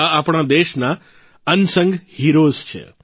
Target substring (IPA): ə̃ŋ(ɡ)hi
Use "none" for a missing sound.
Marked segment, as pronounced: ɡ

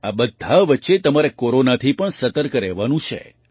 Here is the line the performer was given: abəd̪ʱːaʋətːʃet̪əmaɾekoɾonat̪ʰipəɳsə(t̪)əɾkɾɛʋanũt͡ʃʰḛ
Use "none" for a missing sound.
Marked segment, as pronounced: t̪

